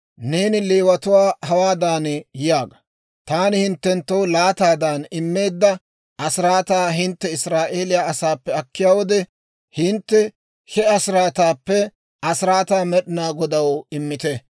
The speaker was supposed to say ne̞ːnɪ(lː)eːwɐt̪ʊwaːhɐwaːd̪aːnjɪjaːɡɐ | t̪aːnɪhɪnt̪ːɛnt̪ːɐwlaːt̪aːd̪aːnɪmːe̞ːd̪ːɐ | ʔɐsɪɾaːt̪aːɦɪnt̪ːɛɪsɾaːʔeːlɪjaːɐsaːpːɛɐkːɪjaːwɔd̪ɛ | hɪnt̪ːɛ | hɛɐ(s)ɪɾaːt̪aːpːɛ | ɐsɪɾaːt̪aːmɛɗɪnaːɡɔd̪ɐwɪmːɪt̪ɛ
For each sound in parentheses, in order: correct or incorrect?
incorrect: l, correct

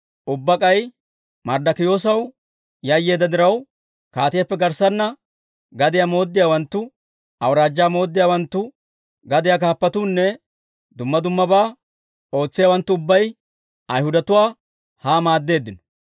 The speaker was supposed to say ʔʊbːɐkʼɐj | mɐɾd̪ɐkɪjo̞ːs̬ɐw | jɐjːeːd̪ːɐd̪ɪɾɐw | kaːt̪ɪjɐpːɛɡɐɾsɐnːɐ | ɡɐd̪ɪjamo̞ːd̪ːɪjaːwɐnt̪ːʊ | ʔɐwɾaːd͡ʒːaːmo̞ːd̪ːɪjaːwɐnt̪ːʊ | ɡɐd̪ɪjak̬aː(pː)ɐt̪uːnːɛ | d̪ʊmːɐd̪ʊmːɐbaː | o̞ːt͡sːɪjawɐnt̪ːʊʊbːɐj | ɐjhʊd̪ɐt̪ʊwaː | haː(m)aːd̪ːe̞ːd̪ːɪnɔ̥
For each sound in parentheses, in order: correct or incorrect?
correct, correct

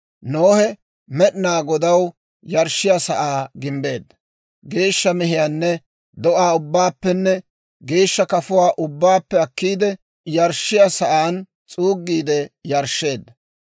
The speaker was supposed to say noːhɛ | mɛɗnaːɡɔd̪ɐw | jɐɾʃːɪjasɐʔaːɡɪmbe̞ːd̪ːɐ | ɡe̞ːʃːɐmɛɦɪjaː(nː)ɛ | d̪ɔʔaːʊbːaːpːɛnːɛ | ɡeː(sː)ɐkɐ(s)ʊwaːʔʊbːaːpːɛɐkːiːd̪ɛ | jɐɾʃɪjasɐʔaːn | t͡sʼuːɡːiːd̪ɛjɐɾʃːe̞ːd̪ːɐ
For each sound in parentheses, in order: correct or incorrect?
correct, incorrect: ʃː, incorrect: f

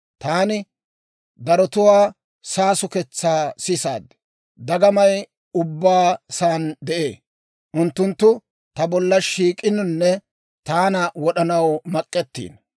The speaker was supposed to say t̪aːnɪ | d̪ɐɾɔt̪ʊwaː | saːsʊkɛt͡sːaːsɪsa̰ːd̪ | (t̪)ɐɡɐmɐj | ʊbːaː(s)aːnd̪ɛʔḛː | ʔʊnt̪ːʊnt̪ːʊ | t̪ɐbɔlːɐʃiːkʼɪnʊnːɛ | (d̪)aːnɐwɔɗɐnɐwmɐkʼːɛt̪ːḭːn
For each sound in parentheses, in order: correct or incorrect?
incorrect: d̪, correct, incorrect: t̪

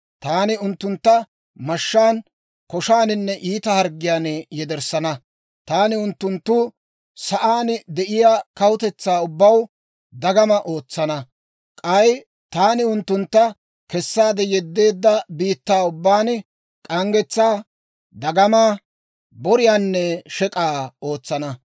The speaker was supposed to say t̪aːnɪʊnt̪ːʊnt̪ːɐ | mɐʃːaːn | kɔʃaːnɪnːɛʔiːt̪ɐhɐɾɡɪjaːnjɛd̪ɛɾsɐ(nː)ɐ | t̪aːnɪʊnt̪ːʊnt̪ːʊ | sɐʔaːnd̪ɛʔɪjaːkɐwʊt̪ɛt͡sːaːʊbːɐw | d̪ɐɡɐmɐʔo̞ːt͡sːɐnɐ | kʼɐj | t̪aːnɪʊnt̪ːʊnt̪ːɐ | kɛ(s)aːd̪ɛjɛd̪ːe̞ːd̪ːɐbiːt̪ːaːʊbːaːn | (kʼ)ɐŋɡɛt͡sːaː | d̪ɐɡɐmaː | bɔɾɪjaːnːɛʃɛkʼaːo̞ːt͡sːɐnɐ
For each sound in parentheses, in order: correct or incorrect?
incorrect: n, incorrect: sː, correct

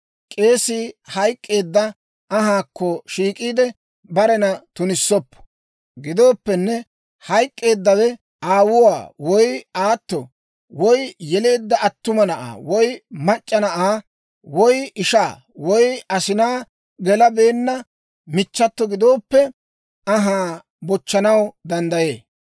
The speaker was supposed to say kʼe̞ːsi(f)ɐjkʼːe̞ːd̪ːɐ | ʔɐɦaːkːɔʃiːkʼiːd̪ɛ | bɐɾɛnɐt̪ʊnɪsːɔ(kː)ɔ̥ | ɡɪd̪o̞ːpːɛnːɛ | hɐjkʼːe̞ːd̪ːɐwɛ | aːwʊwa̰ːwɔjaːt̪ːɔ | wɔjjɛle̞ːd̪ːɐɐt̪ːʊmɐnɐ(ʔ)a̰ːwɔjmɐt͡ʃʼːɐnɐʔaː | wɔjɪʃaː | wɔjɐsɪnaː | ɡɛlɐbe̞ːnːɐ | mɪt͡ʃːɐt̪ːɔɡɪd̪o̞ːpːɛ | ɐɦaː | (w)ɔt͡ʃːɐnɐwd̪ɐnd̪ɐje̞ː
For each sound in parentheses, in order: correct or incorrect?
incorrect: h, incorrect: pː, correct, incorrect: b

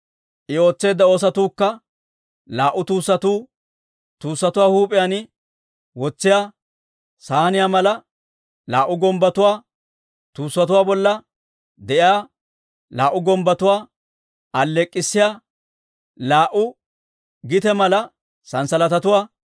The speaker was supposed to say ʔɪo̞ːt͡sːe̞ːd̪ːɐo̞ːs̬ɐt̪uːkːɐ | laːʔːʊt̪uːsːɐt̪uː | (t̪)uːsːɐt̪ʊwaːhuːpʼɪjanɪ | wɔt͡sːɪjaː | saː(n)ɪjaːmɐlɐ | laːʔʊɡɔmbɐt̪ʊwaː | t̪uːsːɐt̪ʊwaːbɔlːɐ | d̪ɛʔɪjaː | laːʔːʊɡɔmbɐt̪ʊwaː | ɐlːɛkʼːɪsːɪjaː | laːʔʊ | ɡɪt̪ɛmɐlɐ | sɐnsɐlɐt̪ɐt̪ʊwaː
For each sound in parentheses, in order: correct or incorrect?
correct, correct

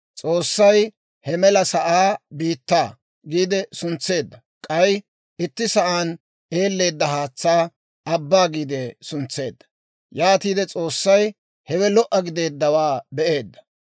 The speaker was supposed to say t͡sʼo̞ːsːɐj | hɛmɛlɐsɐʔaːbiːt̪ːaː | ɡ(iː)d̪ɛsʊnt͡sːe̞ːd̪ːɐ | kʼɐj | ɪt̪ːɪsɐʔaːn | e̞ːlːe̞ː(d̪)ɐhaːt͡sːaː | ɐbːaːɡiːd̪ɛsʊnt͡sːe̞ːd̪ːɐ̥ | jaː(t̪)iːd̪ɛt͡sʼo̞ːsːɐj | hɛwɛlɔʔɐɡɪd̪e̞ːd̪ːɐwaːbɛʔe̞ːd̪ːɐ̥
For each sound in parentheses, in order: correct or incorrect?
correct, incorrect: d̪ː, correct

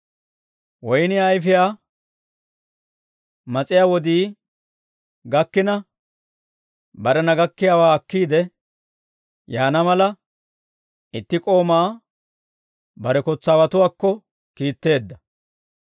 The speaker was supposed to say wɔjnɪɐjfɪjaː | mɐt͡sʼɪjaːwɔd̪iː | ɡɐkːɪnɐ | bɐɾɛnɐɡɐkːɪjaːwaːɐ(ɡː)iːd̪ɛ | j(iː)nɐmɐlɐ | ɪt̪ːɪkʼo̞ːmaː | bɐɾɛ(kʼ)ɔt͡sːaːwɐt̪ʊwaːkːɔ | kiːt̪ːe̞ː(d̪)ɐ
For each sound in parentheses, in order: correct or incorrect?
incorrect: kː, incorrect: aː, incorrect: k, incorrect: d̪ː

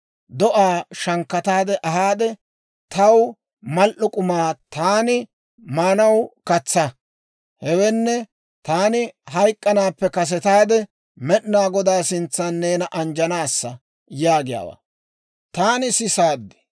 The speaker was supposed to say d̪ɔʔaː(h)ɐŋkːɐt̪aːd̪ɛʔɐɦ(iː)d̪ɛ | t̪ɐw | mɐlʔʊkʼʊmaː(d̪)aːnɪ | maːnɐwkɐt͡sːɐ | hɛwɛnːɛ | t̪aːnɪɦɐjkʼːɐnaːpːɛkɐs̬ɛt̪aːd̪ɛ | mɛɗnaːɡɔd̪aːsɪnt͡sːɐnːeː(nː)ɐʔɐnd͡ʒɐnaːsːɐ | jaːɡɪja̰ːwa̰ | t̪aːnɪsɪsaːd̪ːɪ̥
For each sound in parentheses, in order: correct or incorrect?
incorrect: ʃ, incorrect: aː, incorrect: t̪, incorrect: n

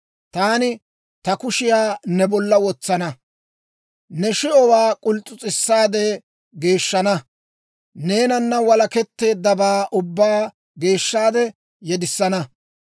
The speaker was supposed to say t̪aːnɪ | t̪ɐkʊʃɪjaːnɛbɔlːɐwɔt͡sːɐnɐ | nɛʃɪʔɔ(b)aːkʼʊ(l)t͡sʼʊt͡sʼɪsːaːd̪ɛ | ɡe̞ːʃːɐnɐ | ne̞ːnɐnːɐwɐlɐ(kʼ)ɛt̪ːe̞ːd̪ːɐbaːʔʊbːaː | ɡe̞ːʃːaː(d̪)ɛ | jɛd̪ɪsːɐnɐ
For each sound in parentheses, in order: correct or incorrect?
incorrect: w, correct, incorrect: k, correct

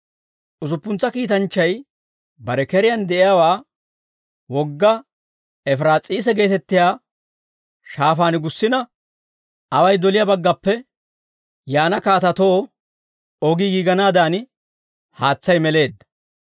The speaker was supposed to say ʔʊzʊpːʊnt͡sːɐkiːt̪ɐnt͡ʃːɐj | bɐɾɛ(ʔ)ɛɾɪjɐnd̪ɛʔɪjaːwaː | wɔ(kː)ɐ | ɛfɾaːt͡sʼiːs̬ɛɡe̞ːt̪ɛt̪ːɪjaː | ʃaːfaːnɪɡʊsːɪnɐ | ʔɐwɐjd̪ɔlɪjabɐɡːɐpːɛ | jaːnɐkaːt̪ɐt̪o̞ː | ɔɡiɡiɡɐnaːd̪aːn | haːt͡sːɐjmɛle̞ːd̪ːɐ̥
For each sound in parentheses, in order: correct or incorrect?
incorrect: k, incorrect: ɡː

